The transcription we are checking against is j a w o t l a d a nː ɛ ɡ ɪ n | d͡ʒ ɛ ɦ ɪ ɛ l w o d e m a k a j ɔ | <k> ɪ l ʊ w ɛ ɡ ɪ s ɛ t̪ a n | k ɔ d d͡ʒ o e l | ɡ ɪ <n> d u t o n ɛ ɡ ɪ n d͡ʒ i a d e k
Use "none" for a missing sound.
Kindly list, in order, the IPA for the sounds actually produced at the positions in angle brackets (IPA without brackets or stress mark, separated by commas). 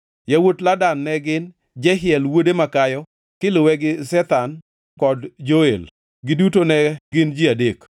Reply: k, none